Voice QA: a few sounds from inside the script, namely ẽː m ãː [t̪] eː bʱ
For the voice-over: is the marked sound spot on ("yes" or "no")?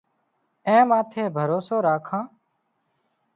no